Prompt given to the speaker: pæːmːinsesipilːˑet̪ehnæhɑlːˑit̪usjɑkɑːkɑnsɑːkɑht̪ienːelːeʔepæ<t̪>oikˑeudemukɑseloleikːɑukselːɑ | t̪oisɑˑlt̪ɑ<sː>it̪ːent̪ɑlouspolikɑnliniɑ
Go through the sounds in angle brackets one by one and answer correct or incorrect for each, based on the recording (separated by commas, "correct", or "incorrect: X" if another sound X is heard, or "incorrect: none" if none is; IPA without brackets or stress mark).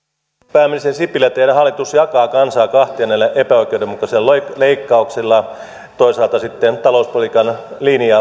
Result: incorrect: none, incorrect: s